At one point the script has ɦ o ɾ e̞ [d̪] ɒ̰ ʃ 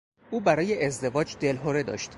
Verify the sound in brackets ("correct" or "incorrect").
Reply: correct